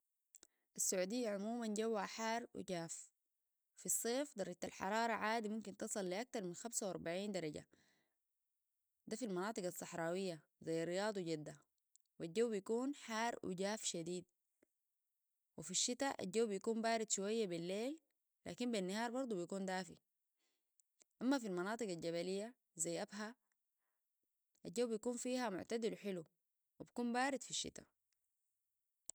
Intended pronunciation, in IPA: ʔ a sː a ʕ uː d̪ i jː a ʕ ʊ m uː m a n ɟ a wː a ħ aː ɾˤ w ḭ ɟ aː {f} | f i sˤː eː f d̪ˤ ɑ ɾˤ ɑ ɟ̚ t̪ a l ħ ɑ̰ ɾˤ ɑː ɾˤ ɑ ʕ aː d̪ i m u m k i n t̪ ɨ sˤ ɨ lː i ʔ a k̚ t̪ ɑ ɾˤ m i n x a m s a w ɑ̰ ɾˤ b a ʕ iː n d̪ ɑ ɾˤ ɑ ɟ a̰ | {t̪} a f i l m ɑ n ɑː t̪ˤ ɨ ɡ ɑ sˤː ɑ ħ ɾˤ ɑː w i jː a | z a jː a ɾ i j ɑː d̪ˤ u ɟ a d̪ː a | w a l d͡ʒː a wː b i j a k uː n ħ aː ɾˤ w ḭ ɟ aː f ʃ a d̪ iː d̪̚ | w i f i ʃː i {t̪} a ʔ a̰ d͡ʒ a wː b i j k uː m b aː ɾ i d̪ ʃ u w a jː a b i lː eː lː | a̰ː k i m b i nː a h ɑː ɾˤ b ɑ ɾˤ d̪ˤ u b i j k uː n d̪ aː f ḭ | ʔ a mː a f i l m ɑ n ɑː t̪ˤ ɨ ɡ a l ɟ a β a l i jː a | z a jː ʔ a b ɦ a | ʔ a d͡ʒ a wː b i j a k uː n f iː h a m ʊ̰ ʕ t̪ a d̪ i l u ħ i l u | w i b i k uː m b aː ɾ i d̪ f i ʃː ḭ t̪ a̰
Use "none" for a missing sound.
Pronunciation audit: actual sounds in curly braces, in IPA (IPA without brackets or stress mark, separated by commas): f, d̪, t̪